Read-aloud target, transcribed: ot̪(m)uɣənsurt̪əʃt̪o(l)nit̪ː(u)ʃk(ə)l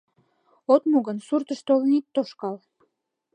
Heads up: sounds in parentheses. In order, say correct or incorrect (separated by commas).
correct, correct, incorrect, incorrect